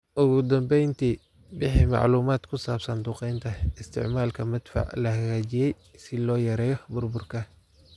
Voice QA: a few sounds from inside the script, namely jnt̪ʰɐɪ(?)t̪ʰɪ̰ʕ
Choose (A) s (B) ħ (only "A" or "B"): A